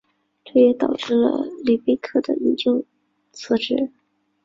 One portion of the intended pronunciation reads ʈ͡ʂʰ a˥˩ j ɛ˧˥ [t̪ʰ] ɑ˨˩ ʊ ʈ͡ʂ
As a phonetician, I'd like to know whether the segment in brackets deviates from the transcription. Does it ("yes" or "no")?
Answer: yes